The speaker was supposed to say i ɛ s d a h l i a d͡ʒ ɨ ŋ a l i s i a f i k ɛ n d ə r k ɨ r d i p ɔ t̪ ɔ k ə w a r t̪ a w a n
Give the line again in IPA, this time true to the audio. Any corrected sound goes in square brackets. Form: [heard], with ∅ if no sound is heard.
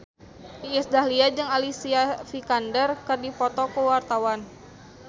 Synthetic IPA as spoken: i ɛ s d a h l i a d͡ʒ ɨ ŋ a l i s i a f i k [a] n d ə r k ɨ r d i p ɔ t̪ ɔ k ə w a r t̪ a w a n

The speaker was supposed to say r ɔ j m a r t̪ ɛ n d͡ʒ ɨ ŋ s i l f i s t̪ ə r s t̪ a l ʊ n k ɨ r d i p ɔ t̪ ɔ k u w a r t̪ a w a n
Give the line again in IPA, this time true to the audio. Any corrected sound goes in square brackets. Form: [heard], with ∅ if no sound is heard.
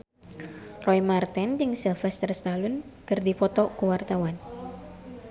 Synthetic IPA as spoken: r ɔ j m a r t̪ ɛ n d͡ʒ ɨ ŋ s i l f [ɛ] s t̪ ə r s t̪ a l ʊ n k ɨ r d i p ɔ t̪ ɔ k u w a r t̪ a w a n

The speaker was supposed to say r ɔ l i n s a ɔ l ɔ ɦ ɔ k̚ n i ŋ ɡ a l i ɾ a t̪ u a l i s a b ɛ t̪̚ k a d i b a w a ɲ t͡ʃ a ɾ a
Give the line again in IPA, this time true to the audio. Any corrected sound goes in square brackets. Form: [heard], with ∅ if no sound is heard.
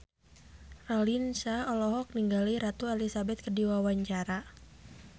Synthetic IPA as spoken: r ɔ l i n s a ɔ l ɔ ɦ ɔ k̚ n i ŋ ɡ a l i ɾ a t̪ u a l i s a b ɛ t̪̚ k [ə] d i [w] a w a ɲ t͡ʃ a ɾ a

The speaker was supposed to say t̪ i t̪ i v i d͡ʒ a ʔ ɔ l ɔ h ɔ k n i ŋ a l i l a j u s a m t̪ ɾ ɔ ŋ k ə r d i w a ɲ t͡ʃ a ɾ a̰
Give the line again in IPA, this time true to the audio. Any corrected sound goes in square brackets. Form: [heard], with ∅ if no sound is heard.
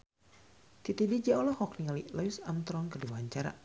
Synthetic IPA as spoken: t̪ i t̪ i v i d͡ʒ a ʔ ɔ l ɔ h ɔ k n i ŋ a l i l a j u s a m t̪ ɾ ɔ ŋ k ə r d i w a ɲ t͡ʃ a ɾ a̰

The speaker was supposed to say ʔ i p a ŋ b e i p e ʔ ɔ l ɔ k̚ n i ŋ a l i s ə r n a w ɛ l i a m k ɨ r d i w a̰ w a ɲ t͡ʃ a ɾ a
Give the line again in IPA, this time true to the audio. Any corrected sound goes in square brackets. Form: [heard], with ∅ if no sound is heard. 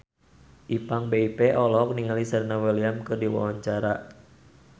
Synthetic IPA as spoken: ʔ i p a ŋ b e i p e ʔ ɔ l ɔ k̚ n i ŋ a l i s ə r n a w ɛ l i a m k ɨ r d i w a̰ w a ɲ t͡ʃ a ɾ a

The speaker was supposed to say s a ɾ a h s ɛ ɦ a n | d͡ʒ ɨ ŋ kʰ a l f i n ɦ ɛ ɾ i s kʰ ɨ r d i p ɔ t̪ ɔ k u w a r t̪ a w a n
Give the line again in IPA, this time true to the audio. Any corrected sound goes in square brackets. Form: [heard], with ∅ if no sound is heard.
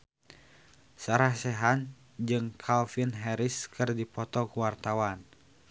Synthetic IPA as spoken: s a ɾ a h s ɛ ɦ a n | d͡ʒ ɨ ŋ kʰ a l f i n ɦ ɛ ɾ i s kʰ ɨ r d i p ɔ t̪ ɔ k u w a r t̪ a w a n

